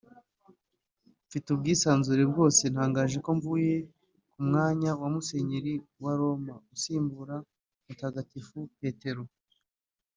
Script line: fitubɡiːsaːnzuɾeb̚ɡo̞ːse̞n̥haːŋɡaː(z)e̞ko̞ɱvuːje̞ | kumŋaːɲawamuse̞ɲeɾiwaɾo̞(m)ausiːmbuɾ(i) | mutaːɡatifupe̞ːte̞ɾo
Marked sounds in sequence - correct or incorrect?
incorrect: ʒ, correct, incorrect: a

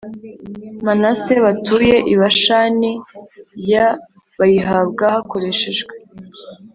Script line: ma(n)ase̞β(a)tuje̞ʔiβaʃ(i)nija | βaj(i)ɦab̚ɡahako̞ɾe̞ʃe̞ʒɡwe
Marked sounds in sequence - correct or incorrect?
correct, correct, incorrect: a, correct

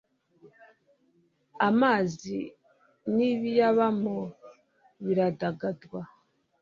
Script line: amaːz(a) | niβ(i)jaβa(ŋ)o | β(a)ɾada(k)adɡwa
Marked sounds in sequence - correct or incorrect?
incorrect: i, correct, incorrect: m, incorrect: i, incorrect: ɡ

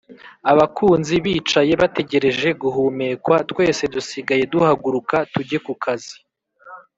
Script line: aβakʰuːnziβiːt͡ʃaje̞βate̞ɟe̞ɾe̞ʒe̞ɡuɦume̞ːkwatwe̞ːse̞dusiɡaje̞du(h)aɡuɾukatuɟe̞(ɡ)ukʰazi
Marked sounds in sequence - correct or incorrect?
correct, incorrect: k

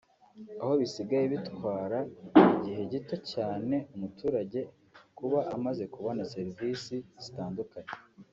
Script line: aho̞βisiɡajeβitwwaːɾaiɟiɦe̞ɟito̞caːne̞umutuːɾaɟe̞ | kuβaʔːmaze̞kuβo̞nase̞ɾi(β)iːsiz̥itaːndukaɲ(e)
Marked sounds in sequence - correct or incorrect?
incorrect: v, correct

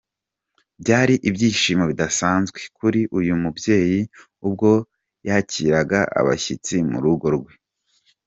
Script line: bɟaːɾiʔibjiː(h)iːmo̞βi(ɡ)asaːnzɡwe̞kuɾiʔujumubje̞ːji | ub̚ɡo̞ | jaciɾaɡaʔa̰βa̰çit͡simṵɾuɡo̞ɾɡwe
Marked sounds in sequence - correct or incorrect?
incorrect: ʃ, incorrect: d

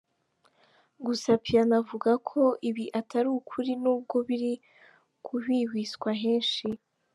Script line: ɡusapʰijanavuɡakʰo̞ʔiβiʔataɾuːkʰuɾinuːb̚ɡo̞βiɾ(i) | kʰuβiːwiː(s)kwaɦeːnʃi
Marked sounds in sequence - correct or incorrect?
correct, correct

